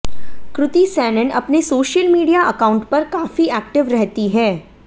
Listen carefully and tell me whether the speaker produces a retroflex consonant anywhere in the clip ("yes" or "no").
yes